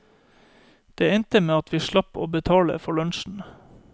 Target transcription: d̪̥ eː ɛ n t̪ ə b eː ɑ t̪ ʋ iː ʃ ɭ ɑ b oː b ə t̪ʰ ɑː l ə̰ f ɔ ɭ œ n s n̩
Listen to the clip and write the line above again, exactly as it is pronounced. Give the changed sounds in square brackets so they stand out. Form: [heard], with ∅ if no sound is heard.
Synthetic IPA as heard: d̪̥ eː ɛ n t̪ ə [m] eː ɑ t̪ ʋ iː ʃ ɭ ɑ [p] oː b ə t̪ʰ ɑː l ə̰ f ɔ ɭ œ n [ʃ] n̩